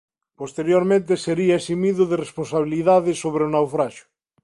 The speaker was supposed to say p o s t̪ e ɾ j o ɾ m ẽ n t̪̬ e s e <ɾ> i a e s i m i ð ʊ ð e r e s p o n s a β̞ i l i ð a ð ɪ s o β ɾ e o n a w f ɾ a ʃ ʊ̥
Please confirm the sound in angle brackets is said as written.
yes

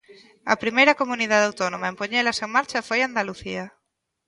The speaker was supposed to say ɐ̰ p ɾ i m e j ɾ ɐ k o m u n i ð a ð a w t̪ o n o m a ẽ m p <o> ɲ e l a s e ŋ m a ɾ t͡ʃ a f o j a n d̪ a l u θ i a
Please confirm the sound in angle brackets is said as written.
yes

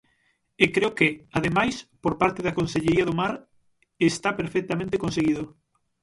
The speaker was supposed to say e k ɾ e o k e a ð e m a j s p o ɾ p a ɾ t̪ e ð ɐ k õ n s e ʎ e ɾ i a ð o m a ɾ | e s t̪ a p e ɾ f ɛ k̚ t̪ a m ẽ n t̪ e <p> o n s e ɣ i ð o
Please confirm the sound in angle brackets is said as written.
no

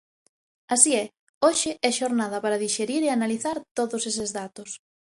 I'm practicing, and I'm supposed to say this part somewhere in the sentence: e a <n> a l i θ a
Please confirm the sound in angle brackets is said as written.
yes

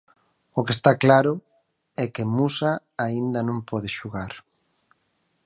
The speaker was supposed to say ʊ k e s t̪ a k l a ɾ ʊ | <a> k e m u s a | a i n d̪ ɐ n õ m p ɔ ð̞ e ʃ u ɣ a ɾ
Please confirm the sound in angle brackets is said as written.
no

